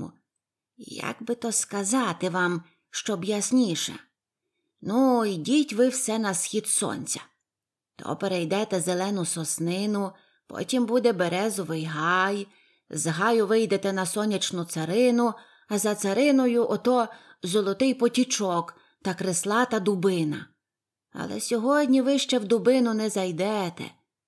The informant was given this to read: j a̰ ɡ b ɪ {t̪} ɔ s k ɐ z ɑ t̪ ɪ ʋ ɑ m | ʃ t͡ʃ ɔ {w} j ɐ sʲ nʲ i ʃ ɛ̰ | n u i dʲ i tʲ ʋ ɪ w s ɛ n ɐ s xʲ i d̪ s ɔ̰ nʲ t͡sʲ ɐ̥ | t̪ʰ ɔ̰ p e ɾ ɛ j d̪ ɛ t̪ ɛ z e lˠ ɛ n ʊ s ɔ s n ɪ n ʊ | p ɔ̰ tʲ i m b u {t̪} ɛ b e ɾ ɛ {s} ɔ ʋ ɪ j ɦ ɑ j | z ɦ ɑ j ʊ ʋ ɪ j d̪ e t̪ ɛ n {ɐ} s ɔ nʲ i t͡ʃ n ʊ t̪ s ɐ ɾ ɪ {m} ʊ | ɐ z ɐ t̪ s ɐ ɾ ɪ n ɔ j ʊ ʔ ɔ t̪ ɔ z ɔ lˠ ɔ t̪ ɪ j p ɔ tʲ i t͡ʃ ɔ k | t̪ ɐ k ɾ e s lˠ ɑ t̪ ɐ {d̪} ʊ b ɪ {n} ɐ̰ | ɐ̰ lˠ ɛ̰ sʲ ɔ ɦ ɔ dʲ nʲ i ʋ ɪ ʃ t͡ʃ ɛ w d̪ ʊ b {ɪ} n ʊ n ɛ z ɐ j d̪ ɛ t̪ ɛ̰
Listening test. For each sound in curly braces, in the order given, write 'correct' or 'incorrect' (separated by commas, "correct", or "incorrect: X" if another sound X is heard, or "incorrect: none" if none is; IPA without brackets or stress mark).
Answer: correct, incorrect: b, incorrect: d̪, incorrect: z, correct, incorrect: n, correct, correct, correct